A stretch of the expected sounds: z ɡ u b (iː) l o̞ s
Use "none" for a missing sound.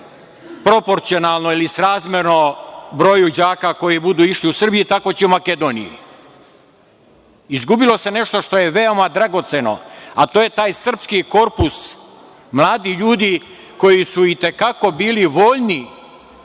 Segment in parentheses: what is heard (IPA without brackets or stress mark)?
i